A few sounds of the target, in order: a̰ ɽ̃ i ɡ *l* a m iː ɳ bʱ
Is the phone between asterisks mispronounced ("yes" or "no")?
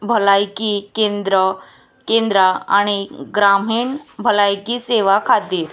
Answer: yes